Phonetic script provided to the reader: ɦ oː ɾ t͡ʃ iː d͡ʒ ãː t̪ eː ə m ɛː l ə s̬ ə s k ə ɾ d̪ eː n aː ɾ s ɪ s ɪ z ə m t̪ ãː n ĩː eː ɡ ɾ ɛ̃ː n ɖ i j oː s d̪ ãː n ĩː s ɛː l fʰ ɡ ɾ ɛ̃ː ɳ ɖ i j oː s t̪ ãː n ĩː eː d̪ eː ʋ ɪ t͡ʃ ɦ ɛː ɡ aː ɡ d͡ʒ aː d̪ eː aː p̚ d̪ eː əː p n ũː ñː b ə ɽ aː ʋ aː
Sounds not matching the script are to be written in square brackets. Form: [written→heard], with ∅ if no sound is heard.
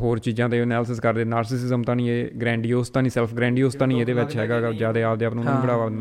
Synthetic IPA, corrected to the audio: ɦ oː ɾ t͡ʃ iː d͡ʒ ãː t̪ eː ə [m→n] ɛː l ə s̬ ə s k ə ɾ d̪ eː n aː ɾ s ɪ s ɪ z ə m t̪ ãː n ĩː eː ɡ ɾ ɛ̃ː [n→ɳ] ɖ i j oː s [d̪→t̪] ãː n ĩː s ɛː l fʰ ɡ ɾ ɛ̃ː ɳ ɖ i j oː s t̪ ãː n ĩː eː d̪ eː ʋ ɪ t͡ʃ ɦ ɛː ɡ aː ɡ d͡ʒ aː d̪ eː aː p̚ d̪ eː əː p n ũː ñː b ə ɽ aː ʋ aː